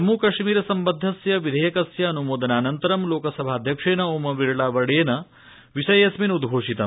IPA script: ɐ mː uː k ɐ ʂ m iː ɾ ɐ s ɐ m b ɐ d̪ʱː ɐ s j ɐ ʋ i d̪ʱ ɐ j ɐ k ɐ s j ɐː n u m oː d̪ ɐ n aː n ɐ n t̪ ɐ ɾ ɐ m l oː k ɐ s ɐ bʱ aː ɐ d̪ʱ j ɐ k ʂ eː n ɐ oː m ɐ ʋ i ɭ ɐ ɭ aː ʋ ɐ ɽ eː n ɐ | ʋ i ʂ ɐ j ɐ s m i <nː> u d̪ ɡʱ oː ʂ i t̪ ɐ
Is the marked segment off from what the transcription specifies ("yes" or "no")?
yes